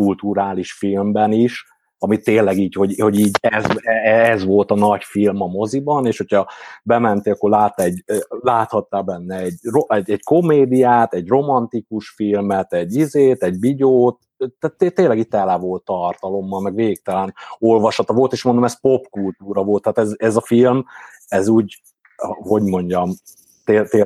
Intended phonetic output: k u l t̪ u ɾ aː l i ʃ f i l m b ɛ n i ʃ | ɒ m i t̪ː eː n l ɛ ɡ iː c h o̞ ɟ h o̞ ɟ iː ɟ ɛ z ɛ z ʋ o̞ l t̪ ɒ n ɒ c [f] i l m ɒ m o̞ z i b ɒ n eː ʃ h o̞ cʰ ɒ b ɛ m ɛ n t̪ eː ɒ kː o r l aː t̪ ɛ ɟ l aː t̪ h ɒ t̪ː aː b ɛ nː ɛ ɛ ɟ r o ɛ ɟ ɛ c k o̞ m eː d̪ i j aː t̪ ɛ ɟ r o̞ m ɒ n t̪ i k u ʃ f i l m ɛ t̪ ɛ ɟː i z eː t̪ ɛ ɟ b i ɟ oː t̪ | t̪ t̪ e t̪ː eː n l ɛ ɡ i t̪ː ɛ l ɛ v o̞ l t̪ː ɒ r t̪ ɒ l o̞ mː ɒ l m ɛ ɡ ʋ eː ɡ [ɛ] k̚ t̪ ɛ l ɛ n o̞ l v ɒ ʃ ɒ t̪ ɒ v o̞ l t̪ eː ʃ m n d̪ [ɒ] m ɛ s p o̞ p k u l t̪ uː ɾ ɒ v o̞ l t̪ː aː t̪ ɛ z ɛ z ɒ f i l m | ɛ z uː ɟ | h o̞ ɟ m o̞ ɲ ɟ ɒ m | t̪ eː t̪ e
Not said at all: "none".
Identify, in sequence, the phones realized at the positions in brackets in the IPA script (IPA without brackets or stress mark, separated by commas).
f, i, o